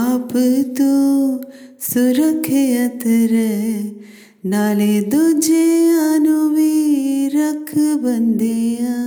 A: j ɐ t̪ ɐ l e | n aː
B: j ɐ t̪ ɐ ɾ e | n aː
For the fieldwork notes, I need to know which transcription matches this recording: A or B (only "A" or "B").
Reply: B